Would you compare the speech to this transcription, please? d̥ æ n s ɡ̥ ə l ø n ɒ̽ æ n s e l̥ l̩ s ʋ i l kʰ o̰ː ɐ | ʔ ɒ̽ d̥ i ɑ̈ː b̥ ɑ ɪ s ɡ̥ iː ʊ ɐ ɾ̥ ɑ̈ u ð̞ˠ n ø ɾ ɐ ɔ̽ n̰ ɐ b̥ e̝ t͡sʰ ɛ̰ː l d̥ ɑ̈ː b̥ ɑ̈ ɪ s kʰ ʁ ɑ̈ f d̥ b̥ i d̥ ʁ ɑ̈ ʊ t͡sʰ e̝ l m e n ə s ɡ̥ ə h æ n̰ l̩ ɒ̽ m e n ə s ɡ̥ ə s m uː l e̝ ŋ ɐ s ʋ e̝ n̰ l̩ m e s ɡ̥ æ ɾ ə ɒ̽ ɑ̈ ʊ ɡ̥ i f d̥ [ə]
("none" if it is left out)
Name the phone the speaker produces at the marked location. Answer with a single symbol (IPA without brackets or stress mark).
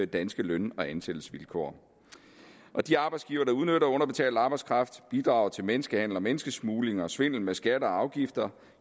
ɐ